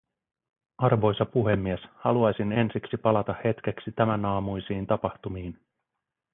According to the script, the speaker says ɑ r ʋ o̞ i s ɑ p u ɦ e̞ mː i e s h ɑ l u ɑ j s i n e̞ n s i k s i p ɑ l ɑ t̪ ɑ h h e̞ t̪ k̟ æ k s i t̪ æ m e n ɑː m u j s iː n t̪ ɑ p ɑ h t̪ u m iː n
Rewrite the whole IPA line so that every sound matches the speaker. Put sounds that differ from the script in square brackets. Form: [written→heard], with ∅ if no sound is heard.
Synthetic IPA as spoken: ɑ r ʋ o̞ [i→j] s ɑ p u ɦ e̞ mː i e s h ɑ l u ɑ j s i n e̞ n s i k s i p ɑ l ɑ t̪ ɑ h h e̞ t̪ k̟ [æ→e] k s i t̪ æ m [e→æ] n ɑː m u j s iː n t̪ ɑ p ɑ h t̪ u m iː n